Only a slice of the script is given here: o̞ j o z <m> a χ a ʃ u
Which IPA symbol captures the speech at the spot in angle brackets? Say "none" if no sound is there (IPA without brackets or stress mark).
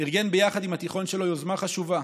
m